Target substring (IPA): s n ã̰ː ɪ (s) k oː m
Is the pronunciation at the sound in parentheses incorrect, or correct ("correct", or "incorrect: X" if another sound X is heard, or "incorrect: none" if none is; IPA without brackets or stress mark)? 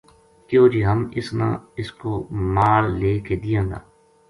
correct